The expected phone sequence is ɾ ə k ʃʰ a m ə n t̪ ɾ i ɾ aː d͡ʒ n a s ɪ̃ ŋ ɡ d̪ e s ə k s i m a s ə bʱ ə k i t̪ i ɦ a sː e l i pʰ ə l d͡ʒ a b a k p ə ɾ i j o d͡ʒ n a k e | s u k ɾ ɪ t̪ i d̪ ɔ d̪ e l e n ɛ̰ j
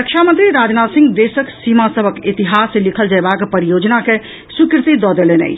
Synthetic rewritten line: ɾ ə k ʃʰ a m ə n t̪ ɾ i ɾ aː d͡ʒ n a s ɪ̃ ŋ ɡ d̪ e s ə k s i m a s ə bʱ ə k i t̪ i ɦ a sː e l i kʰ ə l d͡ʒ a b a k p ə ɾ i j o d͡ʒ n a k e | s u k ɾ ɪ t̪ i d̪ ɔ d̪ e l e n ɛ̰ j